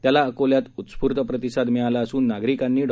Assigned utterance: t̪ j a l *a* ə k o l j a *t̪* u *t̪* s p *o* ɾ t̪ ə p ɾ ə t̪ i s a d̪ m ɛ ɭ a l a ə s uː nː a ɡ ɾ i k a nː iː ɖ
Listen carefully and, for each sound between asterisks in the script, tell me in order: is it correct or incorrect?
correct, correct, correct, incorrect

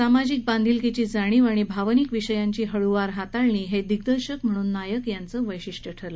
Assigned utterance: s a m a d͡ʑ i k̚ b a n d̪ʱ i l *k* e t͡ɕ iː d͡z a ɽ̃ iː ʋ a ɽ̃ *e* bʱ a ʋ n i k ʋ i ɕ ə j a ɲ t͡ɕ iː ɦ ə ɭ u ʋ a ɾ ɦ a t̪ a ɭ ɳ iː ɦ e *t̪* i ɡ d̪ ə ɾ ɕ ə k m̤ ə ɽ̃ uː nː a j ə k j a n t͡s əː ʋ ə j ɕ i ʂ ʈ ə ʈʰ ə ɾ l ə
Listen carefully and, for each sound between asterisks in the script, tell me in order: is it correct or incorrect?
correct, incorrect, incorrect

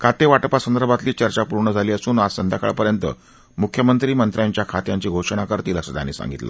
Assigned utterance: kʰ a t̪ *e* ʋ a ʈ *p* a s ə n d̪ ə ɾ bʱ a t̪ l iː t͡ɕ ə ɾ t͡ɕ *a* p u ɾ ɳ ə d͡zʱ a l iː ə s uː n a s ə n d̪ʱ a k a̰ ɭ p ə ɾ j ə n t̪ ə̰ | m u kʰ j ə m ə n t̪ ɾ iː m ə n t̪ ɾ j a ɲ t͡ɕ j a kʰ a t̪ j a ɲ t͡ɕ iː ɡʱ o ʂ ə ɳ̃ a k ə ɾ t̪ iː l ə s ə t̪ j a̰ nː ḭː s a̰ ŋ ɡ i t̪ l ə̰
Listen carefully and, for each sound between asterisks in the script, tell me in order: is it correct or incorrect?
correct, correct, correct

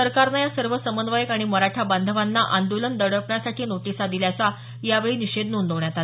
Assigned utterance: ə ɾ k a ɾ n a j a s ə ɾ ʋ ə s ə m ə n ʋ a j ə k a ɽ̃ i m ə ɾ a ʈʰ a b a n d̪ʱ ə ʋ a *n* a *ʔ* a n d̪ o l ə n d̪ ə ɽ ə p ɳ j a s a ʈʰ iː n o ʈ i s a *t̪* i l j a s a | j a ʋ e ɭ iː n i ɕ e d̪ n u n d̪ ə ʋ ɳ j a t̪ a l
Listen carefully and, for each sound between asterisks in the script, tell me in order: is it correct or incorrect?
incorrect, correct, incorrect

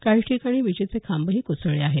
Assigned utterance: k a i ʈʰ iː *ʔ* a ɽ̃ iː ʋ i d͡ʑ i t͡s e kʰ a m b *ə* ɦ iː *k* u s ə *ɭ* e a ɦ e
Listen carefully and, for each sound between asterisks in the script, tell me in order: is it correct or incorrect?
incorrect, correct, correct, correct

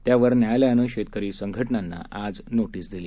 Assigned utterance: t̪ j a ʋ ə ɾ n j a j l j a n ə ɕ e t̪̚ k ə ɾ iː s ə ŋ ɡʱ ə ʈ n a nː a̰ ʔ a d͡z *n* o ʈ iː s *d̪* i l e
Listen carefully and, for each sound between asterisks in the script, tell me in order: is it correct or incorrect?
correct, correct

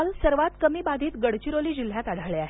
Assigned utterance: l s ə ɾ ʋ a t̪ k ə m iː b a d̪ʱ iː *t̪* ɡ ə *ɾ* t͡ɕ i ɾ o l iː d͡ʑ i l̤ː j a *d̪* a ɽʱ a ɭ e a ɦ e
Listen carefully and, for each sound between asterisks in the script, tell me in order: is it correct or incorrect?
correct, incorrect, incorrect

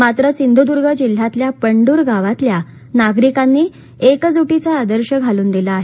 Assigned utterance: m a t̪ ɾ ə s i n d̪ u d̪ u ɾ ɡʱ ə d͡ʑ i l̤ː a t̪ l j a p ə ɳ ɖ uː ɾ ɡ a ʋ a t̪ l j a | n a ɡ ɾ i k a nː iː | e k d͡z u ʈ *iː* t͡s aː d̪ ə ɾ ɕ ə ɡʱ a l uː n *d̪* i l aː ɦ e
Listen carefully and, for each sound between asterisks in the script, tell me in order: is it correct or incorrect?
incorrect, correct

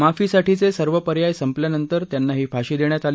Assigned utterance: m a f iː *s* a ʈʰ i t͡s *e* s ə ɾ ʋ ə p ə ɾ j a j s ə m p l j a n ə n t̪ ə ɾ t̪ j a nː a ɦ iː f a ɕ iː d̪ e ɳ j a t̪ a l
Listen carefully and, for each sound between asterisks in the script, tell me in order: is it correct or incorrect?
correct, correct

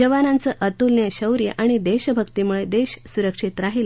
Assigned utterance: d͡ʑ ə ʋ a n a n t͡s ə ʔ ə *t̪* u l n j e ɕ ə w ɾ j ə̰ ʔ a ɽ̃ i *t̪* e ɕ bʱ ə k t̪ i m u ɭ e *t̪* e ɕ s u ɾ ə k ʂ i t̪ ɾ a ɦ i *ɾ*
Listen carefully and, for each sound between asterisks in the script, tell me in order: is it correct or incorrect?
correct, incorrect, incorrect, incorrect

